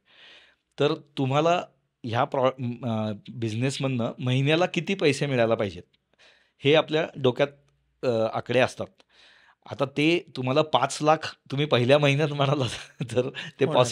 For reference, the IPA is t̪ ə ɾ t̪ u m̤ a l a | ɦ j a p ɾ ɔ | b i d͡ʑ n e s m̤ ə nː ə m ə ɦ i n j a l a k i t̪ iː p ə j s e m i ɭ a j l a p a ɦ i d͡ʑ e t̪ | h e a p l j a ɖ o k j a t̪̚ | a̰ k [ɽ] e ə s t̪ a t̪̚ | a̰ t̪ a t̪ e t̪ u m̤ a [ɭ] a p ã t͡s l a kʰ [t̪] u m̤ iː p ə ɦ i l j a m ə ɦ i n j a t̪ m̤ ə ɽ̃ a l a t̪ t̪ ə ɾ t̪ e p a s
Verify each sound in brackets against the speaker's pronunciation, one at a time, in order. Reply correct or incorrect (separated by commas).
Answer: correct, incorrect, correct